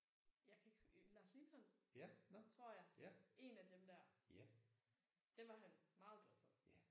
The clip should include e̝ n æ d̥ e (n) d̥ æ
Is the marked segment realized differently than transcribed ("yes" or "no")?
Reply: yes